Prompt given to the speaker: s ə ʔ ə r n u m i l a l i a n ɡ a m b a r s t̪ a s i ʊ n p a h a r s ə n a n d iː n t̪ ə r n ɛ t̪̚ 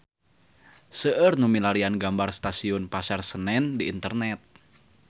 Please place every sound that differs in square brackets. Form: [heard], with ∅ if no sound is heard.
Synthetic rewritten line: s ə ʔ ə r n u m i l a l i a n ɡ a m b a r s t̪ a s i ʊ n p a [s] a r s ə n [ɛ] n d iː n t̪ ə r n ɛ t̪̚